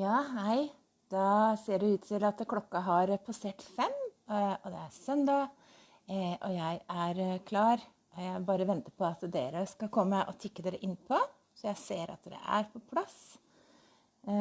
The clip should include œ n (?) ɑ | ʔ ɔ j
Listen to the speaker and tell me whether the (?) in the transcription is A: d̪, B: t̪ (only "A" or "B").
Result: A